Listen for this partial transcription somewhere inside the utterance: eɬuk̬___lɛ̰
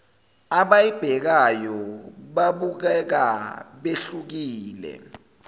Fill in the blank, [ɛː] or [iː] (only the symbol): iː